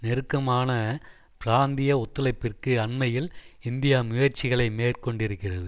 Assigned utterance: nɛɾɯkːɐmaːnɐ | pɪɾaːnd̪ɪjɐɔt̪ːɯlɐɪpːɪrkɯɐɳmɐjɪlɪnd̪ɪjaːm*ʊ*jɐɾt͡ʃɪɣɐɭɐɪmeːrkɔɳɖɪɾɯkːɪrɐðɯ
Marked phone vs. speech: correct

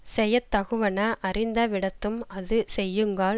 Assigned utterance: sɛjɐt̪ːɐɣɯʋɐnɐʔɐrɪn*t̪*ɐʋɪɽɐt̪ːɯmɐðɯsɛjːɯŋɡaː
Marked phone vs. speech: incorrect: d̪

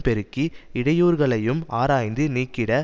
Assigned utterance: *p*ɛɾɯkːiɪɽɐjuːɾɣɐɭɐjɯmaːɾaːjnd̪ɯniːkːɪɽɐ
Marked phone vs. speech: correct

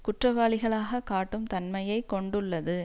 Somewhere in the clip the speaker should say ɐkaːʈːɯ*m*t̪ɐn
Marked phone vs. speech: correct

